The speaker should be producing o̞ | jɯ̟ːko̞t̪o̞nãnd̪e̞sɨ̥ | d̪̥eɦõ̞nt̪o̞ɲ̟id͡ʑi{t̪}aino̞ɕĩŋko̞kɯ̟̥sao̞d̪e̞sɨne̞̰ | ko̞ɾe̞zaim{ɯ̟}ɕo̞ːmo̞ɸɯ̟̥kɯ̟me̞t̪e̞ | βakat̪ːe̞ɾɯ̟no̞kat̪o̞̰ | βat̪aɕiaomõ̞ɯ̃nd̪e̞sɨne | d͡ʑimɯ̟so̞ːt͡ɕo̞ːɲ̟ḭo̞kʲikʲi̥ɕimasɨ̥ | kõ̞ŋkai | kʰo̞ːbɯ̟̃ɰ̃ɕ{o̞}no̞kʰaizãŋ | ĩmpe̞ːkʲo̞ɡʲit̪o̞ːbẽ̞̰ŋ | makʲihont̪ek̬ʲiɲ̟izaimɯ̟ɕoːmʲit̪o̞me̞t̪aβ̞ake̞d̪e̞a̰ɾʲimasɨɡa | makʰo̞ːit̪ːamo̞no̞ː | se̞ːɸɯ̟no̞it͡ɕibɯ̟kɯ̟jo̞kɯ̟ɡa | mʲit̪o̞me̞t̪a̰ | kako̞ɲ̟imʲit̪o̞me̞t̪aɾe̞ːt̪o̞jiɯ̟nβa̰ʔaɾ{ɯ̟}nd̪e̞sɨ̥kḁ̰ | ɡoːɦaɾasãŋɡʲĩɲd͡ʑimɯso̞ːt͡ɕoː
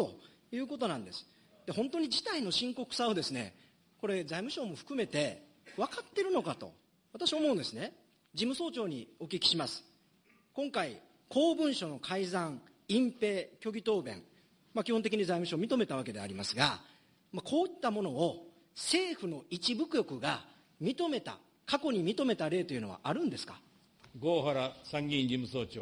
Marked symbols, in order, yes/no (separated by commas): yes, yes, yes, no